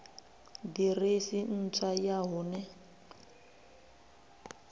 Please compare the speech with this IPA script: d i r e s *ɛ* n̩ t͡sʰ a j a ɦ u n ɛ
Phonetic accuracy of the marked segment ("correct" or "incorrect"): incorrect